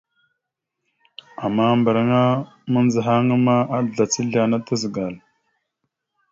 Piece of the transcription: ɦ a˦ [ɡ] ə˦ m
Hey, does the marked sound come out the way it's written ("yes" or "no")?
no